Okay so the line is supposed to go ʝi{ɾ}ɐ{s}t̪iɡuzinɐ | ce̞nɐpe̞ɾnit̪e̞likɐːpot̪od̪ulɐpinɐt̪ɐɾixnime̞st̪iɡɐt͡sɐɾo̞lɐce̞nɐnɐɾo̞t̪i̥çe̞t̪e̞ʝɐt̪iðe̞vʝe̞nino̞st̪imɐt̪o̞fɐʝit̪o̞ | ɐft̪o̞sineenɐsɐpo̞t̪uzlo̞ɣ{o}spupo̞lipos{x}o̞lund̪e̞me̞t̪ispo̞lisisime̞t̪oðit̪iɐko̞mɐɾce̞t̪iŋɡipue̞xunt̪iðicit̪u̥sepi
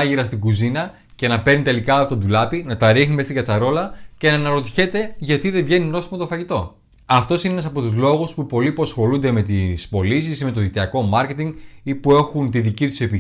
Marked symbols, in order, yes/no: yes, yes, no, yes

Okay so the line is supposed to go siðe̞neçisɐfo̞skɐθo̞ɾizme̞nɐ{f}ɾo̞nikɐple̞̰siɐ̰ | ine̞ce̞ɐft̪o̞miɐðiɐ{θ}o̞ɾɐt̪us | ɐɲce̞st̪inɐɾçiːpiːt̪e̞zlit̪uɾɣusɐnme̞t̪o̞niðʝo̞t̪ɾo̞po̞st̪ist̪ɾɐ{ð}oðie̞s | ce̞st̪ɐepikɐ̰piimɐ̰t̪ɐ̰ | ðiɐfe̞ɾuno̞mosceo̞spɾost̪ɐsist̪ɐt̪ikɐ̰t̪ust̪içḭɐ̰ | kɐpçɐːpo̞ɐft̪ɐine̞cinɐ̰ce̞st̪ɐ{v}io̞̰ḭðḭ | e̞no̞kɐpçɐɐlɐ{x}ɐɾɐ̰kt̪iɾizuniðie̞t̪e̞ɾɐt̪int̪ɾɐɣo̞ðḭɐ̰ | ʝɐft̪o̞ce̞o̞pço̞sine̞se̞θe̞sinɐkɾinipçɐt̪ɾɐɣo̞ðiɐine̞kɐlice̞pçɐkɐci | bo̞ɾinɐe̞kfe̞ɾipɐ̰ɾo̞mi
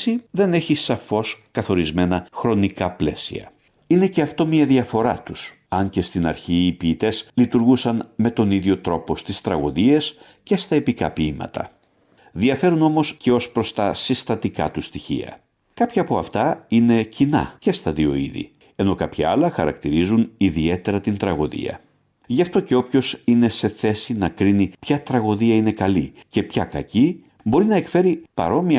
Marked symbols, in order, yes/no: no, no, no, no, yes

